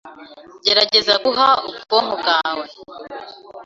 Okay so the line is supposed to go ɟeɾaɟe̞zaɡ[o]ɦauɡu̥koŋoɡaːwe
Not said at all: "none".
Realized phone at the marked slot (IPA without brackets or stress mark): u